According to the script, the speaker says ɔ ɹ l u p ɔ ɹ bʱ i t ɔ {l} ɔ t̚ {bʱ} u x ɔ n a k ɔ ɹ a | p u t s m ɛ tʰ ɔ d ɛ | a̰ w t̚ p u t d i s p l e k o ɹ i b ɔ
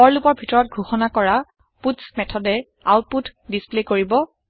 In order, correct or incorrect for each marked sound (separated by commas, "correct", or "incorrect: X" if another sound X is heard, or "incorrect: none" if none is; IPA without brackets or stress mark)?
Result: incorrect: ɹ, incorrect: ɡʱ